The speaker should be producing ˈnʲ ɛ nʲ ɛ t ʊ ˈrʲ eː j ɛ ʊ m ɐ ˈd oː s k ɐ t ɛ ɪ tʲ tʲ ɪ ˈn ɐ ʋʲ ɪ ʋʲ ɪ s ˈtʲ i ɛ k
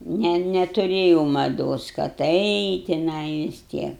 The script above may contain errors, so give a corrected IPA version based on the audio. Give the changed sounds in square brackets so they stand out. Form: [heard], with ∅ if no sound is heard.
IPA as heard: ˈnʲ ɛ nʲ ɛ t ʊ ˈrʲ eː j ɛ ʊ m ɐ ˈd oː s k ɐ t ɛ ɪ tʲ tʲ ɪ ˈn ɐ [∅] ɪ ʋʲ ɪ s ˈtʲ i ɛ k